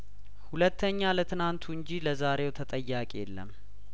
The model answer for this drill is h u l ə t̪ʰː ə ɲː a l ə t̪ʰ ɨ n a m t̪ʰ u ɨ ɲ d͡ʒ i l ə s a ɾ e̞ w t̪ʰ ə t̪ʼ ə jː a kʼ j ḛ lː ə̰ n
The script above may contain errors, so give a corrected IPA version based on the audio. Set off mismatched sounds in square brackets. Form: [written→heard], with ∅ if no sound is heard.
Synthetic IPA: h u l ə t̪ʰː ə ɲː a l ə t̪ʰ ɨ n a [m→n] t̪ʰ u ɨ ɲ d͡ʒ i l ə [s→z] a ɾ e̞ w t̪ʰ ə t̪ʼ ə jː a kʼ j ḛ lː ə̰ [n→m]